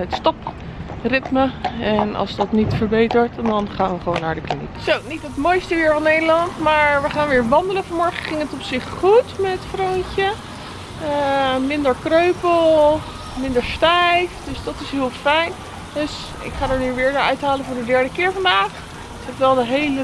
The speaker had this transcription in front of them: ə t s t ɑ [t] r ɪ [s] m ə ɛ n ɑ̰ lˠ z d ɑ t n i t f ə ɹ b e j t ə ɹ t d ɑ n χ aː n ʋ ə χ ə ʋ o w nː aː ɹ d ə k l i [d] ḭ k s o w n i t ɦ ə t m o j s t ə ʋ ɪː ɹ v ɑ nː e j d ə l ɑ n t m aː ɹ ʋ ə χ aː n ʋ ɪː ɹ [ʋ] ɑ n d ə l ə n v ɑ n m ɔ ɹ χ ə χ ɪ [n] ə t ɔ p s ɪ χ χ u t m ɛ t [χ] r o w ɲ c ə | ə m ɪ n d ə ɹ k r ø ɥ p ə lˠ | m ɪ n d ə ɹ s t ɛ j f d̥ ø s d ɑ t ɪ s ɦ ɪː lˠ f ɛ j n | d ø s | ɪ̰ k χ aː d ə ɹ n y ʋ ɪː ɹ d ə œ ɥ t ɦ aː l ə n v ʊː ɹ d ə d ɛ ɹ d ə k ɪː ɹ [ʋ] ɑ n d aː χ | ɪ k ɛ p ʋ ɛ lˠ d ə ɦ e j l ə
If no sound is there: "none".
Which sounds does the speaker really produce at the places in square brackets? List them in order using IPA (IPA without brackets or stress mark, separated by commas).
p, t, n, ʋ, ŋ, f, v